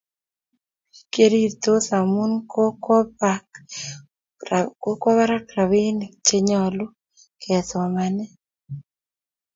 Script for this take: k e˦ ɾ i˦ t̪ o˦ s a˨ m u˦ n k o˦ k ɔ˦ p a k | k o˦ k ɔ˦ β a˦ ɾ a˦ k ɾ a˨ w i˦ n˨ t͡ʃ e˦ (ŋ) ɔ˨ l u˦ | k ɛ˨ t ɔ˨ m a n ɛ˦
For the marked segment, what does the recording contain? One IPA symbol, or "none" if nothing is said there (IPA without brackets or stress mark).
ɲ